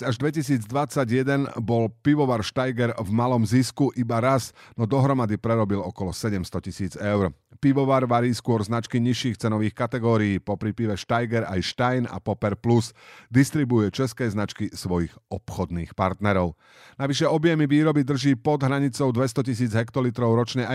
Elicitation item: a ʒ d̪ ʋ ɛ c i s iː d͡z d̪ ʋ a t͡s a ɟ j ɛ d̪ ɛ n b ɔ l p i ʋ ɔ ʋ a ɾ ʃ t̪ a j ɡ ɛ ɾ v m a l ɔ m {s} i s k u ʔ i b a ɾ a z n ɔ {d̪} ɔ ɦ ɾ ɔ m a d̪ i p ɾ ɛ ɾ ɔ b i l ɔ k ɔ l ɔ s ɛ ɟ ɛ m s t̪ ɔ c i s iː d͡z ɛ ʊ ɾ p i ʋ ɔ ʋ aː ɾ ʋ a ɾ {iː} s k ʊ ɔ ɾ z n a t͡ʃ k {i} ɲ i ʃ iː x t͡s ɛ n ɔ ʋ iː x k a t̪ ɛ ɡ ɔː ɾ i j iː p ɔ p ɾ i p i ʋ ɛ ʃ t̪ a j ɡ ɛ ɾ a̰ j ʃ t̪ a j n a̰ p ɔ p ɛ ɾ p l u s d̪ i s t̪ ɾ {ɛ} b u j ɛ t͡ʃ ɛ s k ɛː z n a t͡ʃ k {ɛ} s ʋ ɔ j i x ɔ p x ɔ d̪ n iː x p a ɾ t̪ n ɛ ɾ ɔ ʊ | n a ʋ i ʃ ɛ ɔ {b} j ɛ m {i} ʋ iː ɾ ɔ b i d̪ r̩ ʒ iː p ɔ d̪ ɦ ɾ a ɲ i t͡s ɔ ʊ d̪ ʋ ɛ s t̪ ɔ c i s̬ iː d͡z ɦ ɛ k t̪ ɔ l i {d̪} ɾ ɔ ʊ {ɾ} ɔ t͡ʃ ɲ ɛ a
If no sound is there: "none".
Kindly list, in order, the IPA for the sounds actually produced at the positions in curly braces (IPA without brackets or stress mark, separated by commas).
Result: z, d̪, iː, i, i, i, b, i, t̪, ɾ